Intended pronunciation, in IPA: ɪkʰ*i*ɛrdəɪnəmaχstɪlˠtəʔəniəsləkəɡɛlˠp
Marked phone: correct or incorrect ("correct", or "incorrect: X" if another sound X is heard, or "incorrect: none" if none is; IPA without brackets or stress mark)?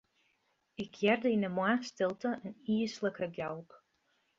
incorrect: j